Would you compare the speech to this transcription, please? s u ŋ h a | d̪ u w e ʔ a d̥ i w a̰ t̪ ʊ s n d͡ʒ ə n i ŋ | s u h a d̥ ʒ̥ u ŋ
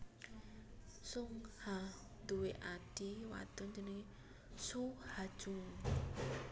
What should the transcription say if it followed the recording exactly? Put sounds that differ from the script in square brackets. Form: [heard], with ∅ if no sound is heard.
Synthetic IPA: s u ŋ h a | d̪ u w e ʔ a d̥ i w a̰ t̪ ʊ [∅] n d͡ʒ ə n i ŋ | s u h a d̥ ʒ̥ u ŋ